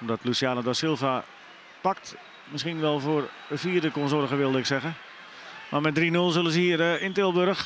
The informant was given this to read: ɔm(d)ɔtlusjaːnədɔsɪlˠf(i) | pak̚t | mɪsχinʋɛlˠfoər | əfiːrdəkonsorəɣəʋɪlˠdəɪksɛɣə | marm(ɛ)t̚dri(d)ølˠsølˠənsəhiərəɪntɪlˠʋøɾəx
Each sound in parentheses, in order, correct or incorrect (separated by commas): correct, incorrect, correct, incorrect